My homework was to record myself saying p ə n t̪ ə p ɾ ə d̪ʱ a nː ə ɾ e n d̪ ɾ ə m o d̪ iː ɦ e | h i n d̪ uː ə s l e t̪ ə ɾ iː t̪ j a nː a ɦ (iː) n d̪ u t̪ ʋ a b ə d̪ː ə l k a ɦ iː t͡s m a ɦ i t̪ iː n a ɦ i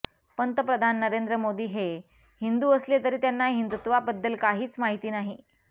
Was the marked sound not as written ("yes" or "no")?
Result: yes